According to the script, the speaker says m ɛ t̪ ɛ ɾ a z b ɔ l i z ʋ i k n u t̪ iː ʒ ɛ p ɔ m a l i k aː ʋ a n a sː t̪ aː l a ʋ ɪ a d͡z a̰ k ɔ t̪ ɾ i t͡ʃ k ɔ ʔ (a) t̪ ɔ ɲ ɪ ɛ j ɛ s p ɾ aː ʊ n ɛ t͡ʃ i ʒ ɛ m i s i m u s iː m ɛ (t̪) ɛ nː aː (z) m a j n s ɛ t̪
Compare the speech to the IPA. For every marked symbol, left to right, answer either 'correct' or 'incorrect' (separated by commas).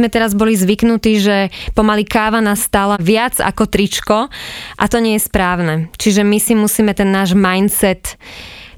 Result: correct, correct, incorrect